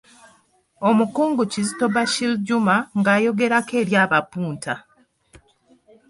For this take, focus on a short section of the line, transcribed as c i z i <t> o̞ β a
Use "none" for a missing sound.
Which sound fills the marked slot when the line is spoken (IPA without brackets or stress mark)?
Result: t